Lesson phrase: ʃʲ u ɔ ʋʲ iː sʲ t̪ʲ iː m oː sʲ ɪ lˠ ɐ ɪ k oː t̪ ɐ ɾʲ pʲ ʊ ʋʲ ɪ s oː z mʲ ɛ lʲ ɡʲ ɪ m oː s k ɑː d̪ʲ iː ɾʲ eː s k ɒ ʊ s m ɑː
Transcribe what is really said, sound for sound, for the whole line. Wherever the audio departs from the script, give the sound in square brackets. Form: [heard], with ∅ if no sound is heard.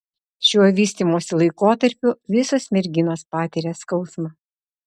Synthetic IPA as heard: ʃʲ u ɔ ʋʲ iː sʲ t̪ʲ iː m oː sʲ ɪ lˠ ɐ ɪ k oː t̪ ɐ ɾʲ pʲ ʊ ʋʲ ɪ s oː [s] mʲ ɛ [ɾʲ] ɡʲ ɪ [n] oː s [p] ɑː [t̪ʲ] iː ɾʲ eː s k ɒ ʊ s m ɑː